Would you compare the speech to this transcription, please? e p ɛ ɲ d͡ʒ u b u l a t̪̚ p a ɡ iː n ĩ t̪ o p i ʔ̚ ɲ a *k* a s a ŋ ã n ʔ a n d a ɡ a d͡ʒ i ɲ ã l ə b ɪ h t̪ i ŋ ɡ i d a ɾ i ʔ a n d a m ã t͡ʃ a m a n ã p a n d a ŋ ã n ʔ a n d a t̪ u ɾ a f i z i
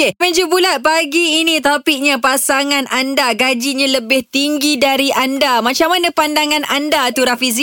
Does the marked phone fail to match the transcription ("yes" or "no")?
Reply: yes